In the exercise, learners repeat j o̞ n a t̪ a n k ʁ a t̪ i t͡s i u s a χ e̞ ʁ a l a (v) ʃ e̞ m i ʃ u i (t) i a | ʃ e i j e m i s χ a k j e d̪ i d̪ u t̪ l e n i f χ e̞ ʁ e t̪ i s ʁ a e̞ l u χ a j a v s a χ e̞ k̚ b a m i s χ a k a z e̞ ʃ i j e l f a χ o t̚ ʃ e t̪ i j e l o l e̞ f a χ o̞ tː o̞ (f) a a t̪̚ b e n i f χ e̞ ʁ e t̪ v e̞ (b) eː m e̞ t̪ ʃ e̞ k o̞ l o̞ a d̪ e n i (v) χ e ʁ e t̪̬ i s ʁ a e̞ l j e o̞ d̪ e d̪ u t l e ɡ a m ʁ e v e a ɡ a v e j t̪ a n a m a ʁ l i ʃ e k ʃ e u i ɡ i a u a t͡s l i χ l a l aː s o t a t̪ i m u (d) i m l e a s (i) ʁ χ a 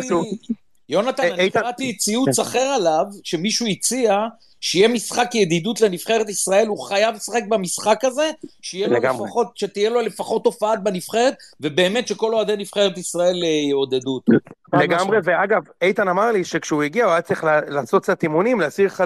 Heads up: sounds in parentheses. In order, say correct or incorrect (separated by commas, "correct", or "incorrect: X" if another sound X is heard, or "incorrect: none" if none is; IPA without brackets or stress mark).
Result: correct, incorrect: t͡s, correct, correct, incorrect: f, incorrect: n, correct